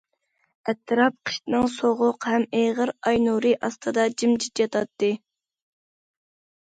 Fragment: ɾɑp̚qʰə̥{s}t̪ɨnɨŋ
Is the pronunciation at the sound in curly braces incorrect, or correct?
incorrect